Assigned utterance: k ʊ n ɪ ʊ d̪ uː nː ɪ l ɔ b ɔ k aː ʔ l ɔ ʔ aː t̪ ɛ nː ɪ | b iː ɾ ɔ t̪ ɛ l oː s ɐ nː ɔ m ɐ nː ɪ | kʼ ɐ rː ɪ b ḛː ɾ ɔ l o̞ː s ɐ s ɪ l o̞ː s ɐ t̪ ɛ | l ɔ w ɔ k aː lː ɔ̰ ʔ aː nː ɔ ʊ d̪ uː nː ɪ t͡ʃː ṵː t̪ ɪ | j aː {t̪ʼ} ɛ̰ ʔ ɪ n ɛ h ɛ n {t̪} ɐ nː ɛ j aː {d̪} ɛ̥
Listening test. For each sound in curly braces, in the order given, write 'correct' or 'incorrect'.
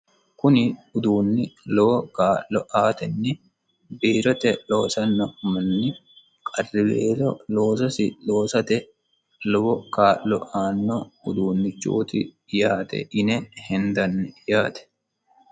incorrect: t̪, incorrect: d̪, incorrect: t̪

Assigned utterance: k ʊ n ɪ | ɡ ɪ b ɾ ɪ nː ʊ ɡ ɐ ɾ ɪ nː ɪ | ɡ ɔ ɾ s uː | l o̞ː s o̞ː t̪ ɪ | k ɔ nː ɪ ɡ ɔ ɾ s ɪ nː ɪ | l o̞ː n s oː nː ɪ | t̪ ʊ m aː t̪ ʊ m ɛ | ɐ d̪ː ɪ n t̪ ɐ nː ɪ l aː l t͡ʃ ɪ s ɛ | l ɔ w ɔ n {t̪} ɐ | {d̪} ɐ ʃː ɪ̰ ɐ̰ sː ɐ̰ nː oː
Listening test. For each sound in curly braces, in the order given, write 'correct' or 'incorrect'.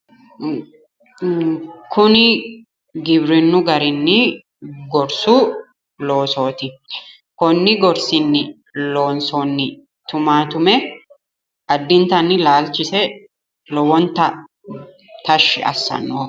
correct, incorrect: t̪

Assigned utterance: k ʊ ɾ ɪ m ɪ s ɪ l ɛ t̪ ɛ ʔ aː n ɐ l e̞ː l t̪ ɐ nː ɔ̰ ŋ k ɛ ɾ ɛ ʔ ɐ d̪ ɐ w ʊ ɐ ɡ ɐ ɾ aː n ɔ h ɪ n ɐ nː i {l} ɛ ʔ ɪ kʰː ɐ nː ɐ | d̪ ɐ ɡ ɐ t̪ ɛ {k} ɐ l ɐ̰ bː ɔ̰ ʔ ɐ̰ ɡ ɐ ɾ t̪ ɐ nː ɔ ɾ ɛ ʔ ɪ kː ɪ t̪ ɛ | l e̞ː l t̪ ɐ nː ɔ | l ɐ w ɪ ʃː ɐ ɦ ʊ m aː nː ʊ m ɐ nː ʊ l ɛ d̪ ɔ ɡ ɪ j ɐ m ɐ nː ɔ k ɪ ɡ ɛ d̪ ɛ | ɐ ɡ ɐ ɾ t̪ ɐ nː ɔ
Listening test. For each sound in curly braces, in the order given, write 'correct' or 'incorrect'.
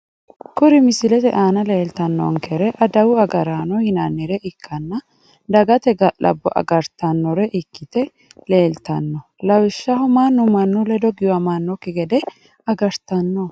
incorrect: ɾ, incorrect: ɡ

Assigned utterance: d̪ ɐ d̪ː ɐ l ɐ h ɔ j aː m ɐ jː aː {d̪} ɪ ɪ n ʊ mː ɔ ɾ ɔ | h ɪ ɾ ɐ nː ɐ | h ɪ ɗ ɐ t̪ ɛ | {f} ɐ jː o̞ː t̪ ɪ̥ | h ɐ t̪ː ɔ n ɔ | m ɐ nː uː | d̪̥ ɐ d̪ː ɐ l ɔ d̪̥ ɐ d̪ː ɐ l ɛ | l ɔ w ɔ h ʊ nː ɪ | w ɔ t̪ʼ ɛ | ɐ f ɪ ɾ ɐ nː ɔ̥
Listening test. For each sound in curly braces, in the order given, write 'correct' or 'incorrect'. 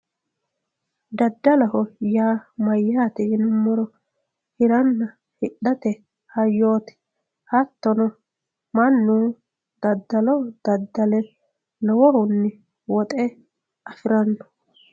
incorrect: t̪, incorrect: h

